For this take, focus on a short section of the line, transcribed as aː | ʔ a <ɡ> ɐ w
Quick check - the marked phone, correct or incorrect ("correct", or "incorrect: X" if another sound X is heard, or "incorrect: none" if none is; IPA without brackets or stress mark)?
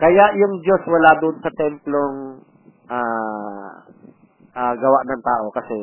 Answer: correct